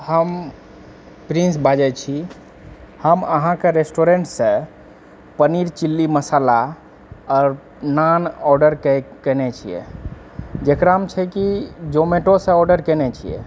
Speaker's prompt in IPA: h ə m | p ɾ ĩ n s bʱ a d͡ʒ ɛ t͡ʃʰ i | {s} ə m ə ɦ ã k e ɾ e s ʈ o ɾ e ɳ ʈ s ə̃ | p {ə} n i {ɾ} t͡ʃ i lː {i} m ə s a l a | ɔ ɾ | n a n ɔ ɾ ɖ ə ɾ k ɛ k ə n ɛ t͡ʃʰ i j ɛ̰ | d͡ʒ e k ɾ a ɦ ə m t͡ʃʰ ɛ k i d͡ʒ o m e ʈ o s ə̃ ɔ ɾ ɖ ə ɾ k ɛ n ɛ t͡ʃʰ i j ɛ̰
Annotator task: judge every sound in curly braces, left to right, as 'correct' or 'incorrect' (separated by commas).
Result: incorrect, correct, correct, correct